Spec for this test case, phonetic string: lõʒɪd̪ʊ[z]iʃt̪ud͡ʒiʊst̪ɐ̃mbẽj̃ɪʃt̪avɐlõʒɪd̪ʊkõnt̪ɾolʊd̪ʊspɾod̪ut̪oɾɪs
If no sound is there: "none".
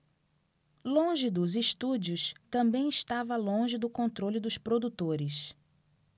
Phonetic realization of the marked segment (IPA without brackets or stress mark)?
z